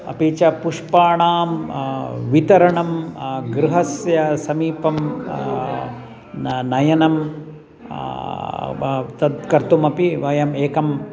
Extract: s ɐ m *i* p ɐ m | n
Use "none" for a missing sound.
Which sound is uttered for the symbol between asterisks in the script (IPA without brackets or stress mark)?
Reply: iː